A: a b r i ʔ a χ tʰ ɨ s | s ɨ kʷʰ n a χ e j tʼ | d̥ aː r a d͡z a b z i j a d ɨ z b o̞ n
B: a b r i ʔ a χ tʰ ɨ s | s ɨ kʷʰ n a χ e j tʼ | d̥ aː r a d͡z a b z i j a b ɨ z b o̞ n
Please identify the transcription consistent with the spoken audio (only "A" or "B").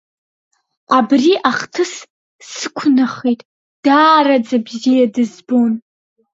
A